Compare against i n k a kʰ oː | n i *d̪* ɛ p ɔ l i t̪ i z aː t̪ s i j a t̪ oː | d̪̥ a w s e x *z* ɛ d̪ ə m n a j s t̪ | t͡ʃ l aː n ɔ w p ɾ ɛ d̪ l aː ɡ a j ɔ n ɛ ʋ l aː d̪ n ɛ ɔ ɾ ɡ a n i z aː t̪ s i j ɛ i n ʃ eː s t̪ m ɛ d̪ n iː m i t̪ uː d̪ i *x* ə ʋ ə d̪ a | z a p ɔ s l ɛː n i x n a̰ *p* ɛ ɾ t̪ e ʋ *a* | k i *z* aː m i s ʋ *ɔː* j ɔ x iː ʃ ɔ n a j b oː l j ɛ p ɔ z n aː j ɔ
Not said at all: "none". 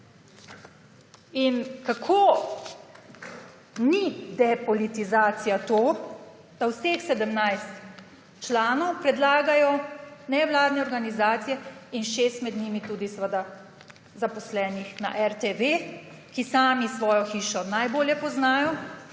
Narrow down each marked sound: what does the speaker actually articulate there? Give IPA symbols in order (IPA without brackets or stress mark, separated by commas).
d̪, s, s, ʔ, e, s, ɔː